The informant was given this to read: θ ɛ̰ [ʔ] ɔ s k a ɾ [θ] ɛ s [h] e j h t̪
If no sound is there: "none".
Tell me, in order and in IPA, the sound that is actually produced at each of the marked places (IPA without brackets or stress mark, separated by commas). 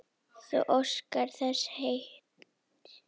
ʔ, θ, h